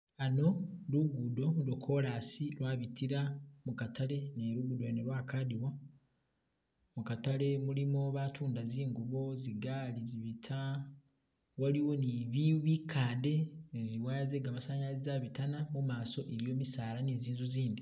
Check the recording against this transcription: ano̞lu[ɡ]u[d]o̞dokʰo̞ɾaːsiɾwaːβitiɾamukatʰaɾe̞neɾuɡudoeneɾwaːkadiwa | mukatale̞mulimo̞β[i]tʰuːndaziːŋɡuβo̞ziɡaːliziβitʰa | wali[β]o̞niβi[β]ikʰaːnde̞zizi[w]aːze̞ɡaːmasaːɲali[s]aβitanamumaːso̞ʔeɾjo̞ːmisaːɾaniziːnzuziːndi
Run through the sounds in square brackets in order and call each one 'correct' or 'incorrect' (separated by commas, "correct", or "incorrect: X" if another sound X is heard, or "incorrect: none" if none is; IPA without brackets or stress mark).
correct, correct, incorrect: a, incorrect: w, correct, correct, incorrect: z